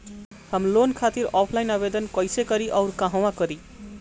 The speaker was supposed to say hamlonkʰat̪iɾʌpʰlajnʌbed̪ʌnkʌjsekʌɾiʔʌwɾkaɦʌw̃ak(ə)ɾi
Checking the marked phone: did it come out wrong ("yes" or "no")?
yes